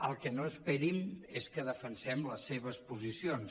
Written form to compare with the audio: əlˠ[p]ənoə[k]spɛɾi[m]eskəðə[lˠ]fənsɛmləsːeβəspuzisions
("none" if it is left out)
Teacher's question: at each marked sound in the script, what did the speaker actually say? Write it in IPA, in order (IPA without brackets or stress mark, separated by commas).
k, none, m, none